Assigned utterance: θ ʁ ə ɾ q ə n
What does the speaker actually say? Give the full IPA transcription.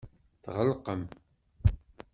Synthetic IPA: θ ʁ ə l q ə m